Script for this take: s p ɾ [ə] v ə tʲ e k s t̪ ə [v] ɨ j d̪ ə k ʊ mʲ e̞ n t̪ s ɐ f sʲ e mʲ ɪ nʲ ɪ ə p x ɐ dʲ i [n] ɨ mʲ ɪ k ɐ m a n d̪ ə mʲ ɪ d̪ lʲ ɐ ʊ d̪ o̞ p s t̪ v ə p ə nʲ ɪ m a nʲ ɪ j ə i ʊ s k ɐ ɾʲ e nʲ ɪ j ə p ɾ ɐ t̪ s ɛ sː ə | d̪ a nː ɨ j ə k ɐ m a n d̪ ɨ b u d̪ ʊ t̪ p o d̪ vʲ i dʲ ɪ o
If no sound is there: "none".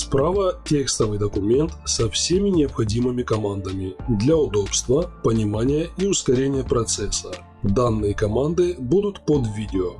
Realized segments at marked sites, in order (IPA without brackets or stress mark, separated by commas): a, v, m